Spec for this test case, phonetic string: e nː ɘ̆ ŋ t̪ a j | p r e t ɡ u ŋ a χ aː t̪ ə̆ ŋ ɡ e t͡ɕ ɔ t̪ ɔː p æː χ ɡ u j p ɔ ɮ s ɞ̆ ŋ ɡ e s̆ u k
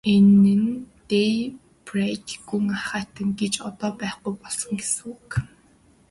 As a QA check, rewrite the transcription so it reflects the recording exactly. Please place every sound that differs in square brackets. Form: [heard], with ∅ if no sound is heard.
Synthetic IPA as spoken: e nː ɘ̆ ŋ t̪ [e] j | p r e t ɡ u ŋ a χ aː t̪ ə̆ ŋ ɡ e t͡ɕ ɔ t̪ ɔː p æː χ ɡ u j p ɔ ɮ s ɞ̆ ŋ ɡ e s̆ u k